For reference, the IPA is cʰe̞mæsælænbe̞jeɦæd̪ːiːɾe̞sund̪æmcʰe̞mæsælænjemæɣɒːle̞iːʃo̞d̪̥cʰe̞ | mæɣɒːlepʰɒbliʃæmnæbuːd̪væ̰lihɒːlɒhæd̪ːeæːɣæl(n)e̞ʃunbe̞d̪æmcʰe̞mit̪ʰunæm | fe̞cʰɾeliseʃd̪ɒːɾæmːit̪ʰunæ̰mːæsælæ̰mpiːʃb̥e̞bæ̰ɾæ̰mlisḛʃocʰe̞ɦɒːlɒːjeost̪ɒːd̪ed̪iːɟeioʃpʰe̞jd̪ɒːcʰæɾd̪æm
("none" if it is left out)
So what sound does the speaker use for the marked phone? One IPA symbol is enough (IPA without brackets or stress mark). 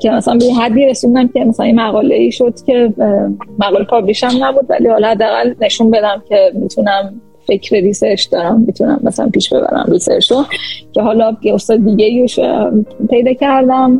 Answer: n